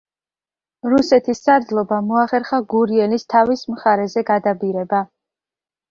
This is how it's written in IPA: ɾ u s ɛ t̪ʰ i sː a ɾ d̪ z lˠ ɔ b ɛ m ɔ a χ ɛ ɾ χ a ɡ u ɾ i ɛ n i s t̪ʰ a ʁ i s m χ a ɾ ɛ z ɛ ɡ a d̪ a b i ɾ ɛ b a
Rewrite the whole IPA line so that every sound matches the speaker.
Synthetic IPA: ɾ u s ɛ t̪ʰ i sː a ɾ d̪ z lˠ ɔ b a m ɔ a χ ɛ ɾ χ a ɡ u ɾ i ɛ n i s t̪ʰ a v i s m χ a ɾ ɛ z ɛ ɡ a d̪ a b i ɾ ɛ b a